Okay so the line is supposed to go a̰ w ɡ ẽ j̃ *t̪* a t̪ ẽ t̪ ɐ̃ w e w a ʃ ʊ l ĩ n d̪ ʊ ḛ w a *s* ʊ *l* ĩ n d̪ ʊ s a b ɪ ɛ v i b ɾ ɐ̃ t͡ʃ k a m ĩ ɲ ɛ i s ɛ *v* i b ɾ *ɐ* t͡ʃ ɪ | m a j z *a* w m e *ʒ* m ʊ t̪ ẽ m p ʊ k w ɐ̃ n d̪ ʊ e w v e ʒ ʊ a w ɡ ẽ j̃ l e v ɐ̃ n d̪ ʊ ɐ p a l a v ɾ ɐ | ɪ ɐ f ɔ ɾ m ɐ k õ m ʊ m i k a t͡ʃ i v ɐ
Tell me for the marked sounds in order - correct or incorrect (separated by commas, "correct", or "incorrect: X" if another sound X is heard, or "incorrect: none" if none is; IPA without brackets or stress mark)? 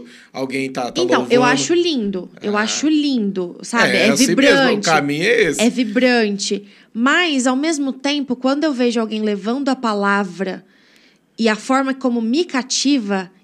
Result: correct, incorrect: ʃ, correct, correct, incorrect: ɐ̃, correct, incorrect: z